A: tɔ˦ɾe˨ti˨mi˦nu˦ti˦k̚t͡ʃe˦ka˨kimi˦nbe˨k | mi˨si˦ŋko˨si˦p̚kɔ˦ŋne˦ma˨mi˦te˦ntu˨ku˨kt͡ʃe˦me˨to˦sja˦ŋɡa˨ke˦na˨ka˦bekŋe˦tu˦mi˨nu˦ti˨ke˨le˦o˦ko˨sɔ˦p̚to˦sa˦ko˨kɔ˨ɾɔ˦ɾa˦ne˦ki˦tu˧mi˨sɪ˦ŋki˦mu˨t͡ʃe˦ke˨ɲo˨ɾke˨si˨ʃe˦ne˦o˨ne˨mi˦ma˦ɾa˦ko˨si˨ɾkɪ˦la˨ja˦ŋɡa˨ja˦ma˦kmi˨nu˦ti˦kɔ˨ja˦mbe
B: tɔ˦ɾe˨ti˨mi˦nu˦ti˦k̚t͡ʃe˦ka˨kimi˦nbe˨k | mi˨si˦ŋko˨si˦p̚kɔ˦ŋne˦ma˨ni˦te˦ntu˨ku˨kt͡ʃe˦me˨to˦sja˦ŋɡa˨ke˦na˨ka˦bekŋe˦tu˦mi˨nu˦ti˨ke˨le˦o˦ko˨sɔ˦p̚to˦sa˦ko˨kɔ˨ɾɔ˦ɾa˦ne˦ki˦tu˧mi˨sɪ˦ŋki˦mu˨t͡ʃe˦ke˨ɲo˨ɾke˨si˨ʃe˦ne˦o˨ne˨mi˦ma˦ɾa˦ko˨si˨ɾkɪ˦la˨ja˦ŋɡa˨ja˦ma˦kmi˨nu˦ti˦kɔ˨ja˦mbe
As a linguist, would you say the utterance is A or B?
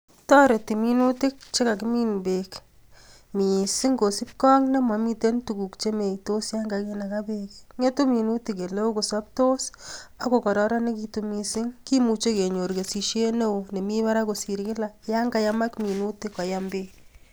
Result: A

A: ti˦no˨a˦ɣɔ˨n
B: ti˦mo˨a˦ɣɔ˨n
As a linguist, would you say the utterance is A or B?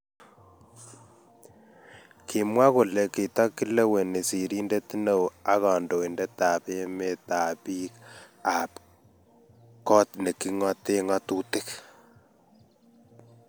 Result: A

